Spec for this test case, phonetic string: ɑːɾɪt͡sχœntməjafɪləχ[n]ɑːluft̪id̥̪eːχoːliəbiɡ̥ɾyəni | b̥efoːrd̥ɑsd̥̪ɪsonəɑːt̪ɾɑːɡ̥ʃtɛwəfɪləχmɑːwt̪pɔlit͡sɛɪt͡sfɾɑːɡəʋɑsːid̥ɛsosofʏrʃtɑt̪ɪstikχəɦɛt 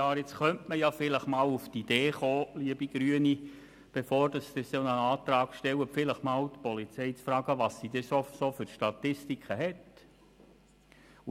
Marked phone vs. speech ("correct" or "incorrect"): incorrect